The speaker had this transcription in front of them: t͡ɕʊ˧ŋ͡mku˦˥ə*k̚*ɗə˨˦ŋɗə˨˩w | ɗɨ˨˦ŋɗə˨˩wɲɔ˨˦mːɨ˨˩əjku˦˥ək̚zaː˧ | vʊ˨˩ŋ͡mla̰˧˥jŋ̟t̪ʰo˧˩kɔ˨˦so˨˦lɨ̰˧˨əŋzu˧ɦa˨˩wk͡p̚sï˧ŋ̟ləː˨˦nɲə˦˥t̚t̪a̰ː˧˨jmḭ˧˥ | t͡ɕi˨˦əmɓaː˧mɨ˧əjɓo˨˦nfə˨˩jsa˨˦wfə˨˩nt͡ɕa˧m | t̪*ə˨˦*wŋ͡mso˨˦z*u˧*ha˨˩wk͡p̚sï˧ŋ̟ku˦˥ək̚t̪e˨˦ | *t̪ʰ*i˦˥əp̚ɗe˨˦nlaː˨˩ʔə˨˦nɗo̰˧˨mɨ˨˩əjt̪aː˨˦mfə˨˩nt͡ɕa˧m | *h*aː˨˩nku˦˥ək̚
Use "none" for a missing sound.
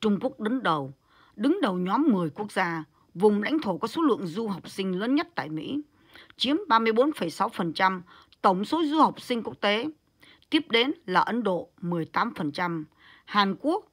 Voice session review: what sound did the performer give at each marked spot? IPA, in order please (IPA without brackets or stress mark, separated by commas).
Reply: k̚, ə˧˩, u˧, t̪, h